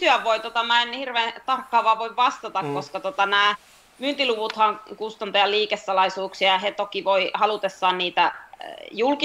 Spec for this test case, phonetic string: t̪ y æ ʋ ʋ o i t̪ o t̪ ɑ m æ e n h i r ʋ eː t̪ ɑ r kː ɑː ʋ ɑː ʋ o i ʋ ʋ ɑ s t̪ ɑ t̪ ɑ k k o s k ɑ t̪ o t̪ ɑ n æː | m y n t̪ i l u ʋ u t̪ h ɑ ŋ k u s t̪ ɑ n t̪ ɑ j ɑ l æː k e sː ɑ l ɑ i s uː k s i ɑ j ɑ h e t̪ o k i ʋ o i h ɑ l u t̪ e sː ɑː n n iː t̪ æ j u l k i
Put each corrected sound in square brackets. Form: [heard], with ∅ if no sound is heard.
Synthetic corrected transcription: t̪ y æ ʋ ʋ o i t̪ o t̪ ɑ m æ e n h i r ʋ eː t̪ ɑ r kː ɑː ʋ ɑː ʋ o i ʋ ʋ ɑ s t̪ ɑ t̪ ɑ k k o s k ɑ t̪ o t̪ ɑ n æː | m y n t̪ i l u ʋ u t̪ h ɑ ŋ k u s t̪ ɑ n t̪ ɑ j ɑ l [iː] k e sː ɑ l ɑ i s uː k s i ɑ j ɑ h e t̪ o k i ʋ o i h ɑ l u t̪ e sː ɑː n n iː t̪ æ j u l k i